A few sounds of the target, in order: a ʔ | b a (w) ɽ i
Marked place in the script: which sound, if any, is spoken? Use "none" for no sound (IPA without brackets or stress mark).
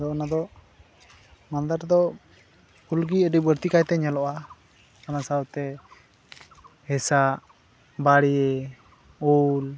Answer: none